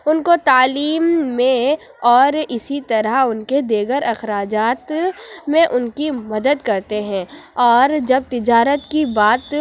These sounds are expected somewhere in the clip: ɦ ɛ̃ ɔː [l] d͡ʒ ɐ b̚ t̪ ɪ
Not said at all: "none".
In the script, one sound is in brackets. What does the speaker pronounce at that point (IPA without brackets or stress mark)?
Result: ɾ